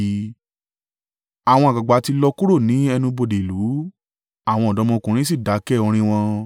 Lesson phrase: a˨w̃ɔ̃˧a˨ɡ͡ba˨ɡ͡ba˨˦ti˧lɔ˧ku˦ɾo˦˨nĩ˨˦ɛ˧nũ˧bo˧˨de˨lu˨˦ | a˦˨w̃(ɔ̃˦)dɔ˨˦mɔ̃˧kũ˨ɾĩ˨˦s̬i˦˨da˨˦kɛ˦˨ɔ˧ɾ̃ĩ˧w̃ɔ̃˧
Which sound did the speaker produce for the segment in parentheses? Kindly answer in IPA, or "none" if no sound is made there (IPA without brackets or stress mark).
ɔ̃˧˨